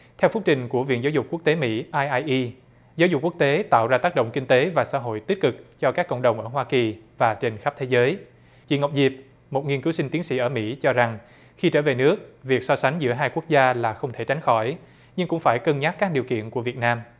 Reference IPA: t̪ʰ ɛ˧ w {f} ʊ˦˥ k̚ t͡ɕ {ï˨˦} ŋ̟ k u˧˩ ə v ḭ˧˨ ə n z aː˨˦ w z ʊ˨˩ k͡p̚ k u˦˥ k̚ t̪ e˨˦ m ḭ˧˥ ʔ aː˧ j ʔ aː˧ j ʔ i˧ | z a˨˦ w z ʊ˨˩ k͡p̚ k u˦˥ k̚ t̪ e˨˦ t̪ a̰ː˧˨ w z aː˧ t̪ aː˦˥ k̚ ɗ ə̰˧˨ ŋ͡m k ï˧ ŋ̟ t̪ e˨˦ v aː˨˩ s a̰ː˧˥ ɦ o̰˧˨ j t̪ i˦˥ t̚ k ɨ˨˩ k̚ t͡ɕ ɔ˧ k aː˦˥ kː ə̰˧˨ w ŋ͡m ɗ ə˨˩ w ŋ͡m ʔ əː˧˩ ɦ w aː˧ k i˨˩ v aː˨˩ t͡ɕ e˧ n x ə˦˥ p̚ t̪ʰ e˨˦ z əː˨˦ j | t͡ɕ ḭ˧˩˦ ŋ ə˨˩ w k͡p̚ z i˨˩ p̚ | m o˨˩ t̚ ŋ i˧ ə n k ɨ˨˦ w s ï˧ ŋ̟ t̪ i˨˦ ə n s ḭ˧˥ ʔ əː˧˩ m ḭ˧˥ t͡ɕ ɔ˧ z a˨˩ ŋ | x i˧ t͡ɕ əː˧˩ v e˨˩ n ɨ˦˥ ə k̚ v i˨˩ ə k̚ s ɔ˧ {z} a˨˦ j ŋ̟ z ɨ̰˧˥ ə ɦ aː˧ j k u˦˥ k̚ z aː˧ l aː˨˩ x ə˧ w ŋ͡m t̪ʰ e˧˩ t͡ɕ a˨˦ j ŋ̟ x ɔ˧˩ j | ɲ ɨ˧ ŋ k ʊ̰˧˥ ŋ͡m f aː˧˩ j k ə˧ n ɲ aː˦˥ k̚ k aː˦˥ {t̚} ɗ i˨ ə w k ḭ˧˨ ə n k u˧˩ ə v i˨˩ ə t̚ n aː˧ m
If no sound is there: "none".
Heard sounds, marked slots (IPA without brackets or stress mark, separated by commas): f, ï˨˩, s, k̚